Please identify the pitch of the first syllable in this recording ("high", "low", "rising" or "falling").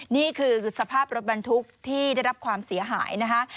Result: falling